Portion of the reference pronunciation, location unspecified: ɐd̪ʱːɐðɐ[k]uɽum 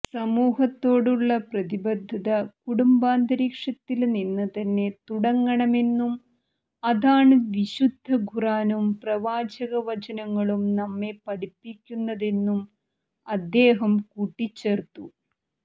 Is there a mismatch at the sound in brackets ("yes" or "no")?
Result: no